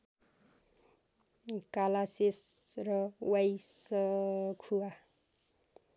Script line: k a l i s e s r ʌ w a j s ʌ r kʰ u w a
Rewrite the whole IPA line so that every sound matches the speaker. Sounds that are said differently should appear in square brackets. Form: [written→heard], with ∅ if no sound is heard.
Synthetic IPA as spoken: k a l [i→a] s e s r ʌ w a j s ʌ [r→∅] kʰ u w a